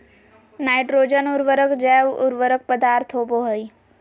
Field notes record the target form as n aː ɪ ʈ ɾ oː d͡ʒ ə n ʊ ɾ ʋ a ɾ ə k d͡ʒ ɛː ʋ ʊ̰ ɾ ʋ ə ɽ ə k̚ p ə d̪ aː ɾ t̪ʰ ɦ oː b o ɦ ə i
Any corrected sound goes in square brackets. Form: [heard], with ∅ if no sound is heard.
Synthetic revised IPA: n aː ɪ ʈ ɾ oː d͡ʒ ə n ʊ ɾ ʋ [ə] ɾ ə k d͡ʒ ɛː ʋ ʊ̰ ɾ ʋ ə [ɾ] ə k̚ p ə d̪ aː ɾ t̪ʰ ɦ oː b o ɦ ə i